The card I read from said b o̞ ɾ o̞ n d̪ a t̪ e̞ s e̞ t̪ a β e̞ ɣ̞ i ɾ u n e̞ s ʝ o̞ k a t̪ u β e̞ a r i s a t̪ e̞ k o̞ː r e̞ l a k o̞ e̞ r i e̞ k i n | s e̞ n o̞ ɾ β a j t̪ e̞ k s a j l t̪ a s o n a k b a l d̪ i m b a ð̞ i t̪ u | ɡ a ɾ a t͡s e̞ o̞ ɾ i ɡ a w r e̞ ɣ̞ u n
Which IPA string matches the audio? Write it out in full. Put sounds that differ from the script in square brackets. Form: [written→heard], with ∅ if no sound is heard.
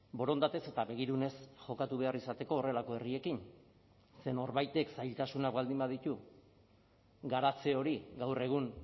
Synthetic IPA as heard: b o̞ ɾ o̞ n d̪ a t̪ e̞ s e̞ t̪ a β e̞ ɣ̞ i ɾ u n e̞ s ʝ o̞ k a t̪ u β e̞ a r i s a t̪ e̞ k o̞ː r e̞ l a k o̞ e̞ r i e̞ k i n | s e̞ n o̞ ɾ β a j t̪ e̞ k s a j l t̪ a s [o→u] n a k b a l d̪ i m b a ð̞ i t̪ u | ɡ a ɾ a t͡s e̞ o̞ ɾ i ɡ a w r e̞ ɣ̞ u n